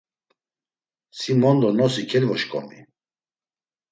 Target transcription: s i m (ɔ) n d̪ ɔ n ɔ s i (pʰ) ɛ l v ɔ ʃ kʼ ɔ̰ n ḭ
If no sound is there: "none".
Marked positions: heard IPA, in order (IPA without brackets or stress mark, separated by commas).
ɔ, kʰ